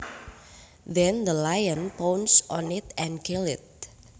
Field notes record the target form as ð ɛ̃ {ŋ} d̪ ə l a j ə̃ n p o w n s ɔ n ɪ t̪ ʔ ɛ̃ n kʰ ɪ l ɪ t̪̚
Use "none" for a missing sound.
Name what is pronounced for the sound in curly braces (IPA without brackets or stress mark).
n